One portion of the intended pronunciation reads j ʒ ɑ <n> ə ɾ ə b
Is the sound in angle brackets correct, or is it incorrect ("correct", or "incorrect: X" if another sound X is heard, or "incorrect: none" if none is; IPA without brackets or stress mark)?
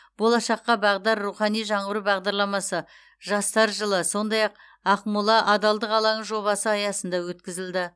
incorrect: ɴ